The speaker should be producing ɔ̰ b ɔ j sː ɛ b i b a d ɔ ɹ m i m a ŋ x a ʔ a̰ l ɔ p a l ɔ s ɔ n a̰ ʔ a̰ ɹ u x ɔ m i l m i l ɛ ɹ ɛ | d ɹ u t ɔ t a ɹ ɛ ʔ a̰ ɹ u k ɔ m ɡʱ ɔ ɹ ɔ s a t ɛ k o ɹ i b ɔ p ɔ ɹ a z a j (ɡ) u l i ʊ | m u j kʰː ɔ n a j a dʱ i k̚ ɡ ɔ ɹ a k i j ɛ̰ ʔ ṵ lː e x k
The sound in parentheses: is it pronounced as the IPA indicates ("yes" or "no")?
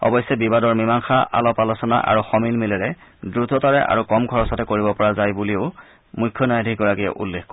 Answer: no